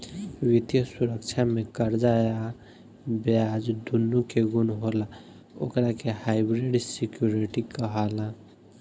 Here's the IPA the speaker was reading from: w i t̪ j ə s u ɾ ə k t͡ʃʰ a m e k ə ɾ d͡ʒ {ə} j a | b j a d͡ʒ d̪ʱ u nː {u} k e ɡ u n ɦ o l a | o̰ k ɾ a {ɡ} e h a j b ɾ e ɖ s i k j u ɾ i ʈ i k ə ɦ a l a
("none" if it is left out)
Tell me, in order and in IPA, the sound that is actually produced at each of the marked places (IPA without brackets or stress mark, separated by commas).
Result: a, u, k